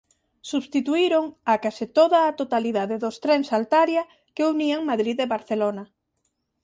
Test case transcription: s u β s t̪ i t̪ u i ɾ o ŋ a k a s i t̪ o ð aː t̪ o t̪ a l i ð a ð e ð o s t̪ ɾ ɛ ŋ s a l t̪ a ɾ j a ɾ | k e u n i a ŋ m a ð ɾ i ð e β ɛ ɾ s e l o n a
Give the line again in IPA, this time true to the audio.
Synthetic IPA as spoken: s u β s t̪ i t̪ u i ɾ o ŋ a k a s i t̪ o ð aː t̪ o t̪ a l i ð a ð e ð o s t̪ ɾ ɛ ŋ s a l t̪ a ɾ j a | k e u n i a ŋ m a ð ɾ i ð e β a ɾ θ e l o n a